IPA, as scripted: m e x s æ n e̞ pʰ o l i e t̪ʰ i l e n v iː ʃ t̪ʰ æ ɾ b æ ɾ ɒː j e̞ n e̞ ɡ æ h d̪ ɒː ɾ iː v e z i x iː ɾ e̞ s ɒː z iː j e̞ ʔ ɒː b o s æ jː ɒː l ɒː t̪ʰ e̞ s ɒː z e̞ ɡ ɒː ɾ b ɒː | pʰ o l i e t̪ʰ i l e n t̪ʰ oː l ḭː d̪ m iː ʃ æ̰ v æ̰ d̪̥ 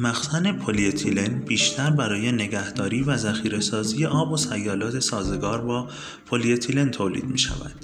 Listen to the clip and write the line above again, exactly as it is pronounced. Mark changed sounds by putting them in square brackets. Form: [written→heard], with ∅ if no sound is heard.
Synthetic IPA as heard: m [e→æ] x s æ n e̞ pʰ o l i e t̪ʰ i l e n [v→b] iː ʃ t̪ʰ æ ɾ b æ ɾ ɒː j e̞ n e̞ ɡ æ h d̪ ɒː ɾ iː v [e→æ] z [i→æ] x iː ɾ e̞ s ɒː z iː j e̞ ʔ ɒː b o s æ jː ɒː l ɒː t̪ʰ e̞ s ɒː z e̞ ɡ ɒː ɾ b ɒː | pʰ o l i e t̪ʰ i l e n t̪ʰ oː l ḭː d̪ m iː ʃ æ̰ v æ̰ d̪̥